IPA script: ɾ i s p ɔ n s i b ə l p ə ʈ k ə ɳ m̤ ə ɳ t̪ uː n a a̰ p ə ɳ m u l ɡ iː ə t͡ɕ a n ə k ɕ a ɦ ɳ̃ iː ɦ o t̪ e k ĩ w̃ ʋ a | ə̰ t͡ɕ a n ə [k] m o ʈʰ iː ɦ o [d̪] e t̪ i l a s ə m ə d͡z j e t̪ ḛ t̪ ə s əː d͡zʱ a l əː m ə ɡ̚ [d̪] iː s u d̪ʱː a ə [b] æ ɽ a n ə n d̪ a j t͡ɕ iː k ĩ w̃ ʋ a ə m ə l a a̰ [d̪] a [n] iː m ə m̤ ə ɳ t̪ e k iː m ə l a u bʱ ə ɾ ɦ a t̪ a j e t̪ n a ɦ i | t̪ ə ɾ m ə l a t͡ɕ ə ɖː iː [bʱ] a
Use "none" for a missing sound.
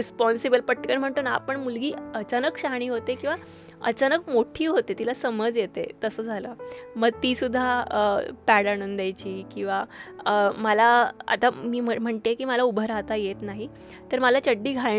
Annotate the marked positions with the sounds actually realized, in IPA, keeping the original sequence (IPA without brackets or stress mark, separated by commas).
k, t̪, t̪, p, t̪, m, ɡʱ